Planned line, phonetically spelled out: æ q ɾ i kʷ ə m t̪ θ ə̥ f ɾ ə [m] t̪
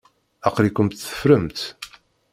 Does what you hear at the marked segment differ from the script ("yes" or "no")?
no